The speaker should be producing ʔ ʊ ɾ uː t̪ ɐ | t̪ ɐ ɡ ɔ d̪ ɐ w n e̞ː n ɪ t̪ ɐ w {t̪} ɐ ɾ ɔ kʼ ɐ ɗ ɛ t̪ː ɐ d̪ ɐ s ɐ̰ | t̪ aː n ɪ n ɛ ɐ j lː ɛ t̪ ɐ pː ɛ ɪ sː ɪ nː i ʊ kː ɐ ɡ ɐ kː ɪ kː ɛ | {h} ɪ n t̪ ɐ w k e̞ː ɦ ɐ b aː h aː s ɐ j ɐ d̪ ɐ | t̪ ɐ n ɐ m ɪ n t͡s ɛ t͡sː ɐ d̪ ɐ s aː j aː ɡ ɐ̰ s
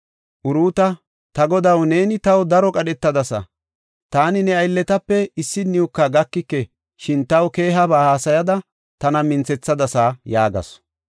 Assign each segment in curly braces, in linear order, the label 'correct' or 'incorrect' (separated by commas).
incorrect, incorrect